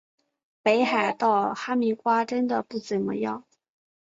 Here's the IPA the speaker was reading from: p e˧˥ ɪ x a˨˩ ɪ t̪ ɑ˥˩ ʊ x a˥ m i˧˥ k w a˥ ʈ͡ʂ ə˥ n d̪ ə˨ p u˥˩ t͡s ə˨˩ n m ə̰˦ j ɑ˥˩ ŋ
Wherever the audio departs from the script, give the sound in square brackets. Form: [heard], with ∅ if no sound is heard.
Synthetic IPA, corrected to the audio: p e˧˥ ɪ x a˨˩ ɪ t̪ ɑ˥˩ ʊ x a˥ m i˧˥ k w a˥ ʈ͡ʂ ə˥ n d̪ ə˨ p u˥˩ t͡s ə˨˩ n m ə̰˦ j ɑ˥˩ ŋ